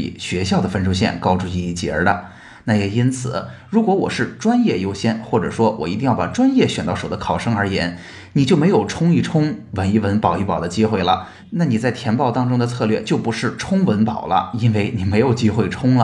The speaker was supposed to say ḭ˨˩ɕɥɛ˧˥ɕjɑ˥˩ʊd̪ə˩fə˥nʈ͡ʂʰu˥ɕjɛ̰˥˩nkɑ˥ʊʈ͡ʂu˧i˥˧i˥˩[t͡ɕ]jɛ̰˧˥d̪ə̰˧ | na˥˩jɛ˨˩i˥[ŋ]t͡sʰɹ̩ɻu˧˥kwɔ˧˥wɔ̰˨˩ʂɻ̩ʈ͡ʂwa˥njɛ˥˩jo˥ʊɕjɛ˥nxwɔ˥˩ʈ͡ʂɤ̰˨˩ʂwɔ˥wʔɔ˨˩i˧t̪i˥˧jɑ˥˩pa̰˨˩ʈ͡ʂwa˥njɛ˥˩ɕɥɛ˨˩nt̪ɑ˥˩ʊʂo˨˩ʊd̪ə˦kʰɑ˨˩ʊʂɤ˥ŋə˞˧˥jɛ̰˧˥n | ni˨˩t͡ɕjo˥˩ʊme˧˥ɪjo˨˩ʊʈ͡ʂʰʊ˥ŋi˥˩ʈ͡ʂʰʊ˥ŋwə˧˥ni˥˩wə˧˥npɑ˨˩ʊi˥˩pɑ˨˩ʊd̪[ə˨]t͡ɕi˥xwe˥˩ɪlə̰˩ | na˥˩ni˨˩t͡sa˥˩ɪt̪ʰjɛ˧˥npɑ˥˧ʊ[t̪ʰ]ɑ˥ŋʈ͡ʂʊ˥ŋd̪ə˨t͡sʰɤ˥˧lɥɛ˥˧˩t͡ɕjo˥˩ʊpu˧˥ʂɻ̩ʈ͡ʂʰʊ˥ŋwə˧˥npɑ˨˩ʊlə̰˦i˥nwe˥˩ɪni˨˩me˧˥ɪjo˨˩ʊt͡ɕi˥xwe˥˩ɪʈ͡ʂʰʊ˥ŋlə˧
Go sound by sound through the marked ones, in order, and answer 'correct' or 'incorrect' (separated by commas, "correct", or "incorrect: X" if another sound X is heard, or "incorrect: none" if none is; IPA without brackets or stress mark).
correct, incorrect: n, incorrect: ə˦, incorrect: t̪